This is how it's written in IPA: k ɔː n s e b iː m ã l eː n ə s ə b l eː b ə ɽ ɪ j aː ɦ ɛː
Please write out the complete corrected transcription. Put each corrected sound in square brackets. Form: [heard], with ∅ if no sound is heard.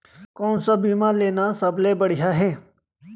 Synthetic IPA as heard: k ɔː n s [a] b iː m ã l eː n [a] s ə b l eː b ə ɽ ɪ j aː ɦ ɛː